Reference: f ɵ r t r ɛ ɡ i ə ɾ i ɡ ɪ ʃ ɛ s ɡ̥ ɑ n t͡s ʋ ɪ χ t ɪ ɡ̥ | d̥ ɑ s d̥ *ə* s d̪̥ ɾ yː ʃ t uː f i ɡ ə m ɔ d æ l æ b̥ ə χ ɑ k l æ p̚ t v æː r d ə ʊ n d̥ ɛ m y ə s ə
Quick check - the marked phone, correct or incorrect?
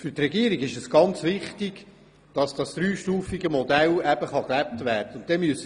incorrect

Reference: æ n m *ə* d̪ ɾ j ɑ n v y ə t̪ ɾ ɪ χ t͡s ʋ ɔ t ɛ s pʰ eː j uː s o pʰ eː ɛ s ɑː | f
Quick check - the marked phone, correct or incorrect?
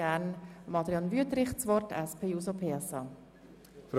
incorrect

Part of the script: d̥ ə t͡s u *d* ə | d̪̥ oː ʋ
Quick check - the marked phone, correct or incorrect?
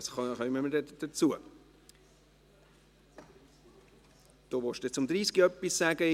incorrect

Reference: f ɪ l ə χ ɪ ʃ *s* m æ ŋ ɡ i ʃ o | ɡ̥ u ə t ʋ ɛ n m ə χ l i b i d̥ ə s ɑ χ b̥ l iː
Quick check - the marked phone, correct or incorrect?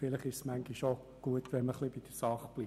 correct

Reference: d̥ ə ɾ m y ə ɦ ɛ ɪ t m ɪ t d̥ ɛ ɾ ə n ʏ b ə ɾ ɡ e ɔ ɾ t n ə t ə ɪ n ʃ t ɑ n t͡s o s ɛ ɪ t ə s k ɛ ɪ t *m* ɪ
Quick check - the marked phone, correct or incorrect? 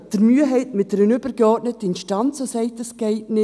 incorrect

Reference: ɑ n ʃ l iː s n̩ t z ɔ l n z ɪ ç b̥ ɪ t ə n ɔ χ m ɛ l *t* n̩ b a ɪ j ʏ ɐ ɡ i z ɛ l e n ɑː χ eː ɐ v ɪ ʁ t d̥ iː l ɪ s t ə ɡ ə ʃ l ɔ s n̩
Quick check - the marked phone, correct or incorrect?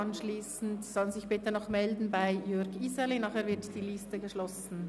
incorrect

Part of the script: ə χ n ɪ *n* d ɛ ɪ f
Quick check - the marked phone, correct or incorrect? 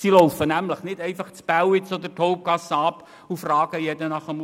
incorrect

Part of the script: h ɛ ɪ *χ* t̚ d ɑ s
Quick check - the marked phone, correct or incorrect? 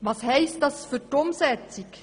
incorrect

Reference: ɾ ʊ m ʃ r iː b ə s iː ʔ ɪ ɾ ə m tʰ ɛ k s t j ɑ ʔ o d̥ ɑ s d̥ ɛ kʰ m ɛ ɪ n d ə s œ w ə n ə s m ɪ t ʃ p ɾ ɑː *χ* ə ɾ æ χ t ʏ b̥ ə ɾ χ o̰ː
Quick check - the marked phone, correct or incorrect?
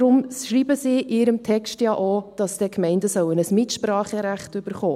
correct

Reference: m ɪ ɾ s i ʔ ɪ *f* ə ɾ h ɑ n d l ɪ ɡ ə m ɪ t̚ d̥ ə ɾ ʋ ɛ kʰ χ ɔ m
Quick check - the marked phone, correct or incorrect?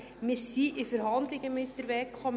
correct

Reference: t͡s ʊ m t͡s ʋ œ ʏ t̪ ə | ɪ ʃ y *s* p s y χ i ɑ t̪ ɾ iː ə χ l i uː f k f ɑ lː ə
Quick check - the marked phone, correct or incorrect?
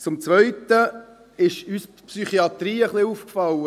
correct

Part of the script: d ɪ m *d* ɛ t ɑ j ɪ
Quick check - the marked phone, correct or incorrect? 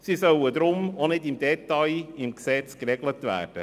correct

